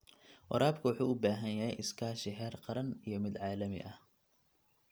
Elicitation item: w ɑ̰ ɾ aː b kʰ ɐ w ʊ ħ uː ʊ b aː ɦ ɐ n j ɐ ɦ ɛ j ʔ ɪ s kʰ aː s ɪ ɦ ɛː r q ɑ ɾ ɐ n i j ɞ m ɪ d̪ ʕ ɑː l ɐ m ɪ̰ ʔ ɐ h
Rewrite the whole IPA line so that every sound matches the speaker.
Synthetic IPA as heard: w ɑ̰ ɾ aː b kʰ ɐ w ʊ ħ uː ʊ b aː ɦ ɐ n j ɐ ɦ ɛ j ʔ ɪ s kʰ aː ʃ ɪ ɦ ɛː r q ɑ ɾ ɐ n i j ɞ m ɪ d̪ ʕ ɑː l ɐ m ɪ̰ ʔ ɐ h